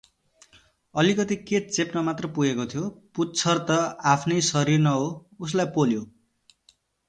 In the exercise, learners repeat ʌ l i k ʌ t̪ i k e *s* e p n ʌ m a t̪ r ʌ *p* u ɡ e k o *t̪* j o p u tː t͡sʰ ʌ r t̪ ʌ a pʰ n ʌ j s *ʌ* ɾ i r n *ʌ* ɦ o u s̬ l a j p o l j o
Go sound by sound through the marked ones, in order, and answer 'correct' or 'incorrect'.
incorrect: t͡s, correct, incorrect: t̪ʰ, correct, correct

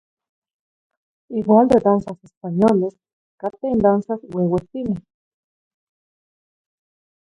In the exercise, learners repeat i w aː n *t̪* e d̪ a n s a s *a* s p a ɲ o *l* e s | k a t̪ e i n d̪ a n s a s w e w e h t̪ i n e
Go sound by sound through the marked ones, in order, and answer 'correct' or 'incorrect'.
incorrect: d̪, incorrect: e, correct

